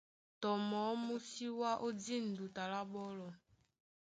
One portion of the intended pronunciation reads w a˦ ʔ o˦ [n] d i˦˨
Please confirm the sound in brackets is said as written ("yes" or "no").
no